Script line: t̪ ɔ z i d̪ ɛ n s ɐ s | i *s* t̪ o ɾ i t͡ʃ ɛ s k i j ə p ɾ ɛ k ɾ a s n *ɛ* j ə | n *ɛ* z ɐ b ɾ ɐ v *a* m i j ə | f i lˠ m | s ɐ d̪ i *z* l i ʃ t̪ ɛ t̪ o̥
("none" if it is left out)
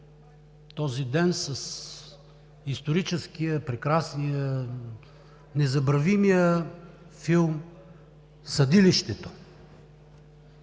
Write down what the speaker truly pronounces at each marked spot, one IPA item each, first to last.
s, i, ɛ, i, none

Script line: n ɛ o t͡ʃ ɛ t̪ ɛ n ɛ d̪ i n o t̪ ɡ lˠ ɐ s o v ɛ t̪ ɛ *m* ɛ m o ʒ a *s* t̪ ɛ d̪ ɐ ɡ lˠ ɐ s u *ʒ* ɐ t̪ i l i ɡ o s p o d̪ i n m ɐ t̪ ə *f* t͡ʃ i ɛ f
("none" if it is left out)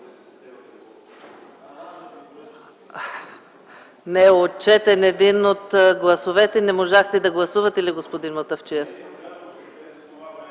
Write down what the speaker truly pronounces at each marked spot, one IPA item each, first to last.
n, x, v, f

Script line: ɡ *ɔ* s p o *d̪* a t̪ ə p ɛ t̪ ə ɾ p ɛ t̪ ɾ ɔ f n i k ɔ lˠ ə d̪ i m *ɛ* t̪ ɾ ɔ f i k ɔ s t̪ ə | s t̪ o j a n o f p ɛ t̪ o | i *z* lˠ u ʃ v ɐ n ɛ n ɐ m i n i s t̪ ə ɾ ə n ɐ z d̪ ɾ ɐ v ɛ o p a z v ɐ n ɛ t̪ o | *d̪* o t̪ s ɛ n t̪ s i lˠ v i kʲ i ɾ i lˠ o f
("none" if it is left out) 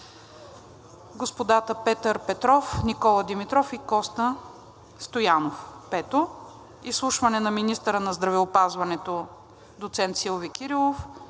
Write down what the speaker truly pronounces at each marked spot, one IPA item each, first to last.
o, d̪, i, s, d̪

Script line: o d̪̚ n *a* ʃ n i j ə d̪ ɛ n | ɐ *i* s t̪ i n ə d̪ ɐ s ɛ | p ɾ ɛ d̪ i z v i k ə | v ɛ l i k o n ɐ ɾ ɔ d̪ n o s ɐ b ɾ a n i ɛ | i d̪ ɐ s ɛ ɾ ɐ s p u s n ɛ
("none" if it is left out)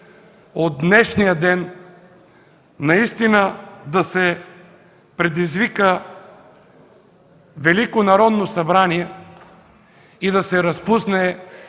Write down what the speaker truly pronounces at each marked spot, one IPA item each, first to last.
ɛ, i

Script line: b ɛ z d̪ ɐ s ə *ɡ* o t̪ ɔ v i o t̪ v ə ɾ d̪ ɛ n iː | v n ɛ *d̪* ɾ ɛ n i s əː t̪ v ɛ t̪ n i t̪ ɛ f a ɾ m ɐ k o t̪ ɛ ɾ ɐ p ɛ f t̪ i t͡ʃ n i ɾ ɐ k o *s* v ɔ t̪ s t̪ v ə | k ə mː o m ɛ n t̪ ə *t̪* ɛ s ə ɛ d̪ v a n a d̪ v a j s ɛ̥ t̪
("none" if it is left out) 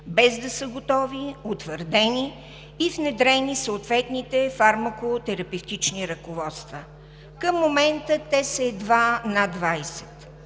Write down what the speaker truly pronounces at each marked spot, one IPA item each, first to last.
ɡ, d̪, none, t̪

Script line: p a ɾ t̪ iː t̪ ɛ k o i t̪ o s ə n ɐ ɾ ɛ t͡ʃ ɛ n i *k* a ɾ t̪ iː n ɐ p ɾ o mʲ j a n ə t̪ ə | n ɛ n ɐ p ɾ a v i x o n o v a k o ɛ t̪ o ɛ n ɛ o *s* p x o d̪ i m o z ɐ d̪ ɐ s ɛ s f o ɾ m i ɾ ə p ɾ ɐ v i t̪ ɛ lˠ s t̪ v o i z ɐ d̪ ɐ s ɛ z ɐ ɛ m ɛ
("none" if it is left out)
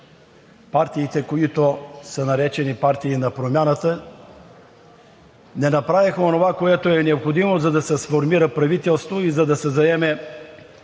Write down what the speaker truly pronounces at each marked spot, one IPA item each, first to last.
p, none

